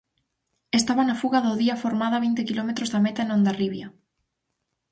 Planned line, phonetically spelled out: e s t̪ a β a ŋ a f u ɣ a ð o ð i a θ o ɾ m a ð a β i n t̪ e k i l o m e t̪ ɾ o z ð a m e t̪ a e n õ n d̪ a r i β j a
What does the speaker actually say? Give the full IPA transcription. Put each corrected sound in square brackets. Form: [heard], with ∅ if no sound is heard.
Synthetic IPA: e s t̪ a β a [n] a f u ɣ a ð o ð i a [f] o ɾ m a ð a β i n t̪ e k i l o m e t̪ ɾ o z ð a m e t̪ a e n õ n d̪ a r i β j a